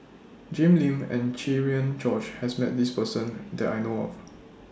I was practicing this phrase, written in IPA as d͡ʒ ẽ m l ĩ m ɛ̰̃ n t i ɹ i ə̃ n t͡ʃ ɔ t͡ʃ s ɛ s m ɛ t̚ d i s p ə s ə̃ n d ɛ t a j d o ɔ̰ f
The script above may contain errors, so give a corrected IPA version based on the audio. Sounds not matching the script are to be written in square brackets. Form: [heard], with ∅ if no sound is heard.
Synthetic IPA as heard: d͡ʒ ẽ m l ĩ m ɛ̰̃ n [t͡ʃ] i ɹ i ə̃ n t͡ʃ ɔ t͡ʃ [h] ɛ s m ɛ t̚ d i s p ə s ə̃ n d ɛ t a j [n] o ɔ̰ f